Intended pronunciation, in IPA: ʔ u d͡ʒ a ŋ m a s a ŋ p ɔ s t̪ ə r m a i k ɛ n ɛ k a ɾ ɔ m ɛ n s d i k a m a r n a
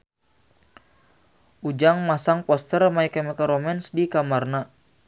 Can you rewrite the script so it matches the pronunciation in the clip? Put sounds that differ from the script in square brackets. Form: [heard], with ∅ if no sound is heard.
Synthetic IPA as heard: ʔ u d͡ʒ a ŋ m a s a ŋ p ɔ s t̪ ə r m a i k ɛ [m] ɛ k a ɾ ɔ m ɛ n s d i k a m a r n a